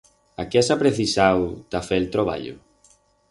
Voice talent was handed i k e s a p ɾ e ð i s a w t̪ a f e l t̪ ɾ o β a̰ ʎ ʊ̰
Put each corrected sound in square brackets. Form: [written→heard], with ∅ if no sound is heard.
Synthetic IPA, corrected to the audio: [i→a] k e s a p ɾ e [ð→θ] i s a w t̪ a f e l t̪ ɾ o β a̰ ʎ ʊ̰